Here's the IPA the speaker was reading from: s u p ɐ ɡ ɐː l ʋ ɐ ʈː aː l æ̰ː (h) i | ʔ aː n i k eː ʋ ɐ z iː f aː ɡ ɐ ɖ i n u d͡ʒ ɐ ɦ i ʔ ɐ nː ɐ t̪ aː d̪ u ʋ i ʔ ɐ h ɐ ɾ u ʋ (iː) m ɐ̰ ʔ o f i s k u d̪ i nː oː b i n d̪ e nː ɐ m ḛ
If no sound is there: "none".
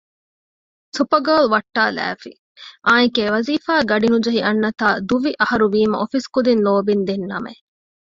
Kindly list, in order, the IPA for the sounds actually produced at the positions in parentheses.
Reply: f, iː

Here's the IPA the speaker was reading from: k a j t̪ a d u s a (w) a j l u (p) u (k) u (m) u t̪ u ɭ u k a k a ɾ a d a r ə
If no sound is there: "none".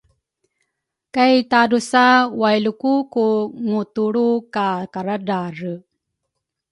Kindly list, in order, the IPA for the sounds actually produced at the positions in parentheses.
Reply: w, k, k, ŋ

